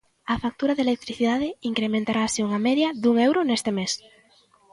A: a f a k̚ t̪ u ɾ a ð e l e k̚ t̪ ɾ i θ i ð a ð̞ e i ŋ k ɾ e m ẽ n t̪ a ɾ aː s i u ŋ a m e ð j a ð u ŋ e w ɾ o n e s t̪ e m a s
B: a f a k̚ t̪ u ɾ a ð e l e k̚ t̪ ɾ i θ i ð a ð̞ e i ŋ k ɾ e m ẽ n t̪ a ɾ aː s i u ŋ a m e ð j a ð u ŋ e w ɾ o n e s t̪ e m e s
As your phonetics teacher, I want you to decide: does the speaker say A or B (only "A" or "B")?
B